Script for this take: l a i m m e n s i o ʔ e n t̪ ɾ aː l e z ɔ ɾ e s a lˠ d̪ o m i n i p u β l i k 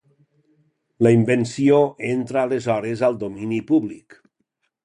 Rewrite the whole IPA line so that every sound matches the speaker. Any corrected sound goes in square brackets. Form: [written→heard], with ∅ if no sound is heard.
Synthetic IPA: l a i m [m→b] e n s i o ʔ e n t̪ ɾ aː l e z ɔ ɾ e [s→z] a lˠ d̪ o m i n i p u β l i k